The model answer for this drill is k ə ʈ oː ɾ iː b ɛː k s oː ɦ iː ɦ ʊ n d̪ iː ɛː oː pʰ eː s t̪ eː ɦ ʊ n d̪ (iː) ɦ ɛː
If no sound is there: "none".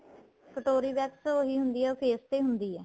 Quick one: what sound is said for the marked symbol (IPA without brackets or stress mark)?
iː